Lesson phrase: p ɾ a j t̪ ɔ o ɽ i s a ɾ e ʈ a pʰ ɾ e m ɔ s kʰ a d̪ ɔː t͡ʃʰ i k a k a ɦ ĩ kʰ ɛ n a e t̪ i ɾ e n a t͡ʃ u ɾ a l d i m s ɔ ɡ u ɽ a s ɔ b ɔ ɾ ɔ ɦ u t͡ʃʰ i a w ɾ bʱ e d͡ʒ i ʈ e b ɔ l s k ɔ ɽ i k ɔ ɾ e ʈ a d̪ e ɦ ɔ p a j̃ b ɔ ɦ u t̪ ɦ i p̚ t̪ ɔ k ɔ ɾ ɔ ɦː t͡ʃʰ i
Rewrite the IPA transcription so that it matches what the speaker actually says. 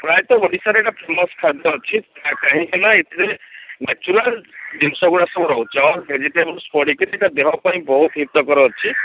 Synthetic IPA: p ɾ a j t̪ ɔ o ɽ i s a ɾ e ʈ a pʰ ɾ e m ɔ s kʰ a d̪ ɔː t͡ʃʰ i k a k a ɦ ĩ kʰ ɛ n a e t̪ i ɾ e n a t͡ʃ u ɾ a l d i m s ɔ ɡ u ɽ a s ɔ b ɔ ɾ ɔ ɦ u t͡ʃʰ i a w ɾ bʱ e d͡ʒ i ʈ e b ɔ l s p ɔ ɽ i k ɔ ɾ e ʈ a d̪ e ɦ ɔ p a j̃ b ɔ ɦ u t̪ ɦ i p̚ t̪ ɔ k ɔ ɾ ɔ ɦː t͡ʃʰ i